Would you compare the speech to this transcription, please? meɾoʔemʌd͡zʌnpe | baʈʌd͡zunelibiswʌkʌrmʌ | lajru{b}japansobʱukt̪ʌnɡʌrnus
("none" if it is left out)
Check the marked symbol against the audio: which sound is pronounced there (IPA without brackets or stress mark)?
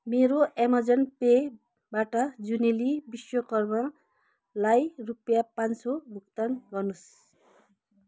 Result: p